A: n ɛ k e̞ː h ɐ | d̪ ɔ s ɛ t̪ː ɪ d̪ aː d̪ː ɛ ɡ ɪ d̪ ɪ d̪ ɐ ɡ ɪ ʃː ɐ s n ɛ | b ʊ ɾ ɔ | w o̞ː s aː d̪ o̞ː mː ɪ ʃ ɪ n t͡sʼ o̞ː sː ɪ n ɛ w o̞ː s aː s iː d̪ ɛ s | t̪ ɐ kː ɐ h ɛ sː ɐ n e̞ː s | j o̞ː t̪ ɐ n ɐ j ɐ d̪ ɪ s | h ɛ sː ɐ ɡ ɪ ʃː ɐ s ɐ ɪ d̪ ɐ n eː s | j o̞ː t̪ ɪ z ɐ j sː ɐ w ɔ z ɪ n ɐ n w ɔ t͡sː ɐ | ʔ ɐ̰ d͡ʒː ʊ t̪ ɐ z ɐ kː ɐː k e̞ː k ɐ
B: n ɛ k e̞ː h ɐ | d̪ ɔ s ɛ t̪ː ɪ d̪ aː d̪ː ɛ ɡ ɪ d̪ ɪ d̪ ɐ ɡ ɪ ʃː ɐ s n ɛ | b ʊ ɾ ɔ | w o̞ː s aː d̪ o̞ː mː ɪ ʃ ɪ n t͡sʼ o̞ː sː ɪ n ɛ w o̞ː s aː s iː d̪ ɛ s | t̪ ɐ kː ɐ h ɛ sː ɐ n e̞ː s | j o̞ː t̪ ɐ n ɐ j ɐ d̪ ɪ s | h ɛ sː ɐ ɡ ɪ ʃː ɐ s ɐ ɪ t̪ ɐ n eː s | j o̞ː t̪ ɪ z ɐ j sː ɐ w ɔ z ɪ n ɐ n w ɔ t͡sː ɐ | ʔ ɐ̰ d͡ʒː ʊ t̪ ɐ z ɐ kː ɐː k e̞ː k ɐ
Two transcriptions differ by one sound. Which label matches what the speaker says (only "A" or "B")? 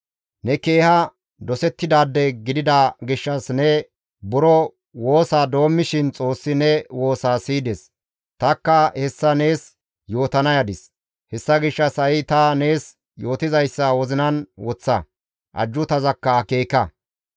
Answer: B